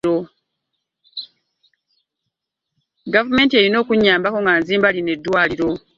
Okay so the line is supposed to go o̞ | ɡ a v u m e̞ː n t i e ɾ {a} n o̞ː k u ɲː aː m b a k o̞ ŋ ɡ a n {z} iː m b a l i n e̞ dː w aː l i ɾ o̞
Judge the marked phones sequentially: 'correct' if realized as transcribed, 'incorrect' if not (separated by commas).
incorrect, correct